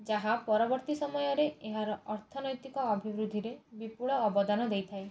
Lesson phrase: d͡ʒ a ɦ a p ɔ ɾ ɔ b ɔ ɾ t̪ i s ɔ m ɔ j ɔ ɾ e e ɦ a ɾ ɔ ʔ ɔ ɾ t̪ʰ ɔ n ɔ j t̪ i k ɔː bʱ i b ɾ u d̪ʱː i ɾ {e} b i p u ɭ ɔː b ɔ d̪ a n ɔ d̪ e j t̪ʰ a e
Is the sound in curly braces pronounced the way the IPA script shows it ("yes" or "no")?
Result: yes